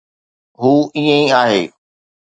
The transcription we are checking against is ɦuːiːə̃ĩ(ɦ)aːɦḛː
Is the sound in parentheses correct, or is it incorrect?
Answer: incorrect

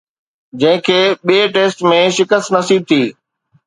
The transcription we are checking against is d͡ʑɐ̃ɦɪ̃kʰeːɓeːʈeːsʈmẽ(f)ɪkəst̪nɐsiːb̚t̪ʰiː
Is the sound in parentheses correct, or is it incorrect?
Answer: incorrect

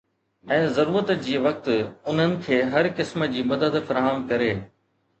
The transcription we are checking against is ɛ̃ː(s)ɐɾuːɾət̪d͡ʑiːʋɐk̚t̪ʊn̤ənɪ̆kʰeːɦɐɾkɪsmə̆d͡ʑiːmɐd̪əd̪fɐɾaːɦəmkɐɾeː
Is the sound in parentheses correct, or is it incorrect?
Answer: incorrect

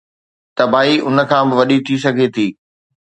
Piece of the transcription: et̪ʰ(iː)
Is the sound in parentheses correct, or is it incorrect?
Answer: correct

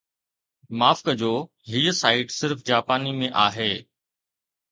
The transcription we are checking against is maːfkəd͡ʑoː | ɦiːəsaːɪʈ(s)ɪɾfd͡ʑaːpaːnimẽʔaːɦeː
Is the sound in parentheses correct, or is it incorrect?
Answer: correct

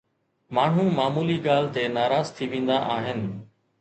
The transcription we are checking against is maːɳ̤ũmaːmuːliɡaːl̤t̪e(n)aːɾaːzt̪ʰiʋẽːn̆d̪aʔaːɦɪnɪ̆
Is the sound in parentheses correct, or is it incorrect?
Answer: correct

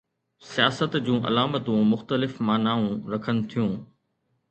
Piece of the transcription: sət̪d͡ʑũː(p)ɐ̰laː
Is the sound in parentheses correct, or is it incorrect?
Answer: incorrect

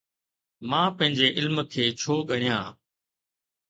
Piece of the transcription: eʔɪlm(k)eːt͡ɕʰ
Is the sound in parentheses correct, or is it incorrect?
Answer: incorrect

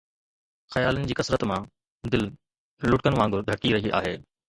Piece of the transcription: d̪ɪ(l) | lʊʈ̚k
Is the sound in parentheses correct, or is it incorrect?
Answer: correct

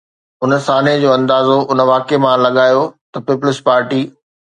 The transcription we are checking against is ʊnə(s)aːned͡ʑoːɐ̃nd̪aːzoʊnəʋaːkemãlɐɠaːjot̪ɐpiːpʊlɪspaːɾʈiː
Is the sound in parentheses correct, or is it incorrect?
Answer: correct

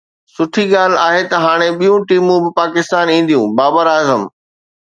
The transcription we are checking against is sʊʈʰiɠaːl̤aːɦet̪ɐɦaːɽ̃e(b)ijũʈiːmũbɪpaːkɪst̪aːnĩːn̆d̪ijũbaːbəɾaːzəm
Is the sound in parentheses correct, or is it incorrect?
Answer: incorrect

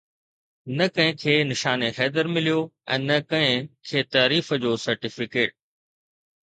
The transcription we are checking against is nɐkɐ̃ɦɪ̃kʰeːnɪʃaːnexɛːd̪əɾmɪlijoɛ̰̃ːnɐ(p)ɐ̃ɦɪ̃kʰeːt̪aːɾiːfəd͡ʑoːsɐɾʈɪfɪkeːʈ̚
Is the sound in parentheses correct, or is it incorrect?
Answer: incorrect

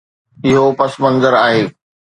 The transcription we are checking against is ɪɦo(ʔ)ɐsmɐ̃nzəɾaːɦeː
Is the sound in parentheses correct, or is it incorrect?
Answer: incorrect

